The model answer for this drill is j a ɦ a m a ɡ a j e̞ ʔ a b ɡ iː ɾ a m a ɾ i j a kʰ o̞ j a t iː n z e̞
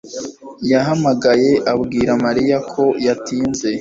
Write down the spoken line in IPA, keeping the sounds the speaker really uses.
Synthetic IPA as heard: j a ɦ a m a ɡ a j e̞ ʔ a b ɡ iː ɾ a m a ɾ i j a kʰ o̞ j a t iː n z e̞